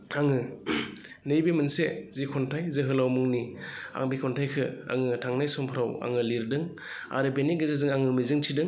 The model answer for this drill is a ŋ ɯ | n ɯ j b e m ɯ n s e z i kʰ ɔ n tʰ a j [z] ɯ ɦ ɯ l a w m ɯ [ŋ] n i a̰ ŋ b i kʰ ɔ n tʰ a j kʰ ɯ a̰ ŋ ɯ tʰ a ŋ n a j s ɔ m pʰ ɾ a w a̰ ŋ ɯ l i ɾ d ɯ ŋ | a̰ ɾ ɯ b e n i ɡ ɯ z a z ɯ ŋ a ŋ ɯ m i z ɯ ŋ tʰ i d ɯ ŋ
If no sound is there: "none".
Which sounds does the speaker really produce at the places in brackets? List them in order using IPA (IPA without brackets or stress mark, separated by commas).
z, ŋ